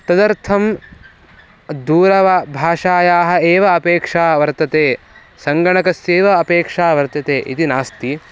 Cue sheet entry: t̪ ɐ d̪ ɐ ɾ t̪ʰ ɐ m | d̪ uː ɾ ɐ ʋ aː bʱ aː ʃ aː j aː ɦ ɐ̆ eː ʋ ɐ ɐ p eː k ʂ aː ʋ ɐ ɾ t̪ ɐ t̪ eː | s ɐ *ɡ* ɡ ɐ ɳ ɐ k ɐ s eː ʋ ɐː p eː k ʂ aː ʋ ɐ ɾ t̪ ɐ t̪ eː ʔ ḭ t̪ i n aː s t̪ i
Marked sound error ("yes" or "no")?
yes